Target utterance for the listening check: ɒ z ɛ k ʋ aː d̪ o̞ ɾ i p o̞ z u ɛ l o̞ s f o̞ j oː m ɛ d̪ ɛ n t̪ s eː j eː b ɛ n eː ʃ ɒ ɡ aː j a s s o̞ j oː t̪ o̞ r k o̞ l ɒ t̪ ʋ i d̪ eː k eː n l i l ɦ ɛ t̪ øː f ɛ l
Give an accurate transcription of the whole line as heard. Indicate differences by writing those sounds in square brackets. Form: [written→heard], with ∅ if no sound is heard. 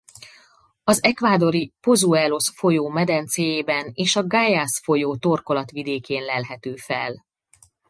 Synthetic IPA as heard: ɒ z ɛ k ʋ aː d̪ o̞ ɾ i p o̞ z u ɛ l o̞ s f o̞ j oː m ɛ d̪ ɛ n t̪ s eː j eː b ɛ n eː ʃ ɒ ɡ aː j a s [s→f] o̞ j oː t̪ o̞ r k o̞ l ɒ t̪ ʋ i d̪ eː k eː n l [i→ɛ] l ɦ ɛ t̪ øː f ɛ l